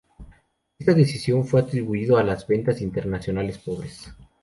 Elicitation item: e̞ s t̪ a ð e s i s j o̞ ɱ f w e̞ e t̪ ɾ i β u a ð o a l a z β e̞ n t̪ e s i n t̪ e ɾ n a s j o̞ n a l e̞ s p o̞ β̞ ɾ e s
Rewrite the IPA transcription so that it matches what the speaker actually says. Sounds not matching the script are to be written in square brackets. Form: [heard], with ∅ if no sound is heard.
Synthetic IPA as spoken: e̞ s t̪ a ð e s i s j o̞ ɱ f w e̞ [a] t̪ ɾ i β u [i] ð o a l a z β e̞ n t̪ [a] s i n t̪ e ɾ n a s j o̞ n a l e̞ s p o̞ β̞ ɾ e s